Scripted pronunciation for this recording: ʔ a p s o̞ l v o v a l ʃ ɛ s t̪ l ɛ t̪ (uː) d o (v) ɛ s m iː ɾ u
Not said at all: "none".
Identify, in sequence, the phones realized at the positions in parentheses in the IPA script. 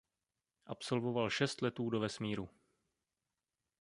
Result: uː, v

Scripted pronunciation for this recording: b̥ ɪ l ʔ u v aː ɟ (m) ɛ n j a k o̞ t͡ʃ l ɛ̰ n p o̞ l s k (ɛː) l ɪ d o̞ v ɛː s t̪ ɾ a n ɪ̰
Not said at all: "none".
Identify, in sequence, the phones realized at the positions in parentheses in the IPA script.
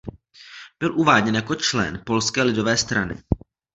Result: ɲ, ɛː

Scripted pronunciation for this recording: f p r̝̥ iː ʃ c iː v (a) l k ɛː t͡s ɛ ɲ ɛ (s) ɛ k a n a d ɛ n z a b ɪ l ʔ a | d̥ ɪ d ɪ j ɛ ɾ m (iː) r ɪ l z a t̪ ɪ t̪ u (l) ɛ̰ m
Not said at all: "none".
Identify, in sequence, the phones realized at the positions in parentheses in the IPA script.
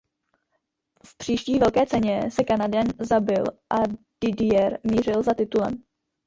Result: ɛ, s, iː, l

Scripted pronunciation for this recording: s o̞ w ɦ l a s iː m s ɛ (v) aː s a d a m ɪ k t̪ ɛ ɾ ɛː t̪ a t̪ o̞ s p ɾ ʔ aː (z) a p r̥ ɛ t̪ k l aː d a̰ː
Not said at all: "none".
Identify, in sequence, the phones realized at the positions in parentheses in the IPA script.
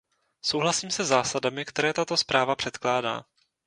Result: z, v

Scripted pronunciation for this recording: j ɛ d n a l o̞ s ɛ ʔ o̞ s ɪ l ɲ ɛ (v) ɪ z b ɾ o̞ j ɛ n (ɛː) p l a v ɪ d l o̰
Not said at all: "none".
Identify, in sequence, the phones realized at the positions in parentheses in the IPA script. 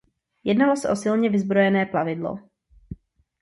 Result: v, ɛː

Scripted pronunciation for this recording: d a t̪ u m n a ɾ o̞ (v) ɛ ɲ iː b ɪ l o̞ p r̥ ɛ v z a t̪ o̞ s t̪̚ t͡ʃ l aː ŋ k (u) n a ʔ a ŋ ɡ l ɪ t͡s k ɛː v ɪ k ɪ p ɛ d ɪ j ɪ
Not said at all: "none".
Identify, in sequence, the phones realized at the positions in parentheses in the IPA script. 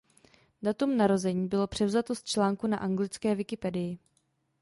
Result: z, u

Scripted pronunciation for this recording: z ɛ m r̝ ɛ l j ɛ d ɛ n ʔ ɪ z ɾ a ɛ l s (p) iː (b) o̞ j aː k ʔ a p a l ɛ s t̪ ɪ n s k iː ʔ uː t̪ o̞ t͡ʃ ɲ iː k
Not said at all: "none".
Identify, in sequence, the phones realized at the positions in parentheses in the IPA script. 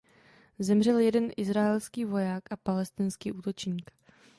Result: k, v

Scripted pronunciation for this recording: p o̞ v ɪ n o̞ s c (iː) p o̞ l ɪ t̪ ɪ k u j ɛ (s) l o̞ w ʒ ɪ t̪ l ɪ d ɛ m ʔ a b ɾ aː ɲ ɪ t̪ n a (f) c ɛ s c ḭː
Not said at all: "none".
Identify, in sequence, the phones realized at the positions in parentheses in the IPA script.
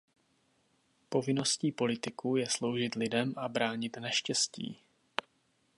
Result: iː, s, ʃ

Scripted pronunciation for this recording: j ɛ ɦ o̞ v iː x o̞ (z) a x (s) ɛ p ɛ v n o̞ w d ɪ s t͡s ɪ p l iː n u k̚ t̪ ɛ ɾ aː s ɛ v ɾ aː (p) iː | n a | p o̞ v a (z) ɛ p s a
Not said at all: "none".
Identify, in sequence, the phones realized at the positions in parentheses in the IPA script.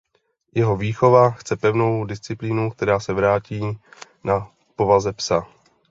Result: v, t͡s, c, z

